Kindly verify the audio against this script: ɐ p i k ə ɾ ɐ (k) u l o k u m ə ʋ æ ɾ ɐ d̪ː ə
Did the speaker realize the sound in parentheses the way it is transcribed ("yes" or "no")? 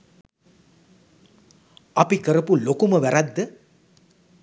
no